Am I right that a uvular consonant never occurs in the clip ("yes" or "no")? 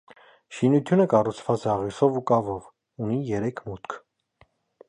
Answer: no